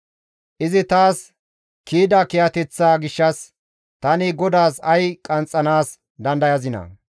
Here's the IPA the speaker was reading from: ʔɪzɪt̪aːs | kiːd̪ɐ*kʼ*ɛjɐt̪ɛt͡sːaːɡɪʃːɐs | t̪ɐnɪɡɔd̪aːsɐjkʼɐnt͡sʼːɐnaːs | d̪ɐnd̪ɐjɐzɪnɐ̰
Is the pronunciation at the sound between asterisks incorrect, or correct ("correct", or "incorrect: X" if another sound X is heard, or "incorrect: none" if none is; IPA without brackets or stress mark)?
incorrect: k